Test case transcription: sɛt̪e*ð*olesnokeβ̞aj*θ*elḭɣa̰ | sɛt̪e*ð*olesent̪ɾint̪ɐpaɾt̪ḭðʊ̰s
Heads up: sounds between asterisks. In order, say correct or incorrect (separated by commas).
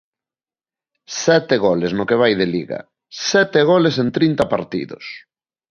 incorrect, incorrect, incorrect